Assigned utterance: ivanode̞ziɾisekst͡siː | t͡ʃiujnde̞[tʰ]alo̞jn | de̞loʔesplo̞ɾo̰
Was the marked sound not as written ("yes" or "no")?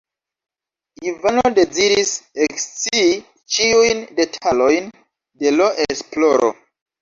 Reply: no